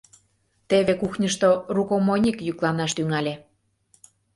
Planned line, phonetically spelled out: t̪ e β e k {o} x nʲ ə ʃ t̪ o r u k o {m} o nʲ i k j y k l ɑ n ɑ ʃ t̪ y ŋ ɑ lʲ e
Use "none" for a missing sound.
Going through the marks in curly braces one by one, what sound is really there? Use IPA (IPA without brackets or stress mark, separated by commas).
u, m